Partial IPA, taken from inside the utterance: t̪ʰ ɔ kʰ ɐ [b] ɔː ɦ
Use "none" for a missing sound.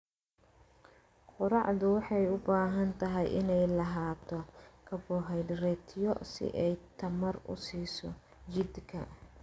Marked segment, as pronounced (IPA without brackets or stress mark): b